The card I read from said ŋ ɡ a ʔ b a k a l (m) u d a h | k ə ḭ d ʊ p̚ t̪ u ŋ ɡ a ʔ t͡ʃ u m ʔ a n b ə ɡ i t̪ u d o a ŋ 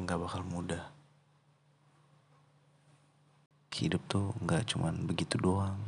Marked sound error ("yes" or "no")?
no